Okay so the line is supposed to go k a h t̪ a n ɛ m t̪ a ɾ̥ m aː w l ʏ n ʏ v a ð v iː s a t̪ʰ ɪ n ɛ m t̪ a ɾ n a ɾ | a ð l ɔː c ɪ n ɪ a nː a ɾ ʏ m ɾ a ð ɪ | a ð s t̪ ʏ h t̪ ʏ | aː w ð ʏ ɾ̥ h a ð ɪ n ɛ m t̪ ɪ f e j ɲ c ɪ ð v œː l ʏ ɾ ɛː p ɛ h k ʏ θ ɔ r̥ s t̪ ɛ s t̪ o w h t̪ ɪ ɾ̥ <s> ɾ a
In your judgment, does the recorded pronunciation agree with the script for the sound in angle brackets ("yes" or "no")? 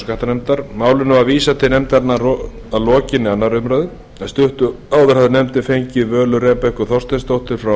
no